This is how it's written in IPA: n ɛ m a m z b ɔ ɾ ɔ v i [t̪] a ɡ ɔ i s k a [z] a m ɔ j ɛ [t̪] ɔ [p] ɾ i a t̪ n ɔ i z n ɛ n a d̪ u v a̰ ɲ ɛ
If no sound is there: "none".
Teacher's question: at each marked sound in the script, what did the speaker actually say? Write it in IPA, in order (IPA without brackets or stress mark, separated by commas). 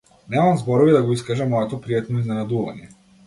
d̪, ʒ, t̪, p